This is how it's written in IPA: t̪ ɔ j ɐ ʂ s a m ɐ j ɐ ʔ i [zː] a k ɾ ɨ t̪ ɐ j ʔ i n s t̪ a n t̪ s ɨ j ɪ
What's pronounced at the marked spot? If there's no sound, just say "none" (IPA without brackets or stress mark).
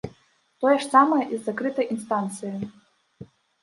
zː